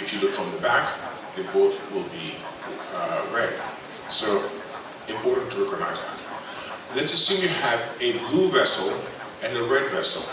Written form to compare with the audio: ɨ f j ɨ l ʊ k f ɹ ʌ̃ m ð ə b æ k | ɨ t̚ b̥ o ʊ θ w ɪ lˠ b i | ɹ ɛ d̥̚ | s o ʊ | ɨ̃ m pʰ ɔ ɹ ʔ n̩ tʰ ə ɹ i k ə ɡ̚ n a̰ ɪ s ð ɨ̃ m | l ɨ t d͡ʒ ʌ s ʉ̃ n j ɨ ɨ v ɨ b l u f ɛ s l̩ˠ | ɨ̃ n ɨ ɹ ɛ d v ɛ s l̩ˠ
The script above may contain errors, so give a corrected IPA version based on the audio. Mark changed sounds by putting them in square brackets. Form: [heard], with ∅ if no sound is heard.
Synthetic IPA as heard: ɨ f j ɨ l ʊ k f ɹ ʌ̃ m ð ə b æ k | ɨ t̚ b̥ o ʊ θ w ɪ lˠ b i | ɹ ɛ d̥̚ | s o ʊ | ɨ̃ m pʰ ɔ ɹ ʔ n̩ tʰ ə ɹ [ɛ] k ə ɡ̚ n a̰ ɪ [z] ð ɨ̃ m | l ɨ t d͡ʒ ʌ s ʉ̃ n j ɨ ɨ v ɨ b l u [v] ɛ s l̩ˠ | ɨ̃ n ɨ ɹ ɛ d v ɛ s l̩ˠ